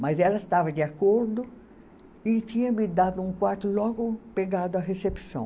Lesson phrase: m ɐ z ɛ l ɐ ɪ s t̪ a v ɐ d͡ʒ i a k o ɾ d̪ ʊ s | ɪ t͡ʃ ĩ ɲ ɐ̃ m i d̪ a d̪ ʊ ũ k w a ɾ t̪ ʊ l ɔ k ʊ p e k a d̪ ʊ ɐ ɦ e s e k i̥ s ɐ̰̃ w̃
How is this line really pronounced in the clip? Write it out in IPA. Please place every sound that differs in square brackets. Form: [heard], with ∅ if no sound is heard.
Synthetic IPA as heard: m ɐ z ɛ l ɐ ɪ s t̪ a v ɐ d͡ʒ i a k o ɾ d̪ ʊ [∅] | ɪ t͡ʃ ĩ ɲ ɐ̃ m i d̪ a d̪ ʊ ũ k w a ɾ t̪ ʊ l ɔ [ɡ] ʊ p e [ɡ] a d̪ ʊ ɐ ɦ e s e [p] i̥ s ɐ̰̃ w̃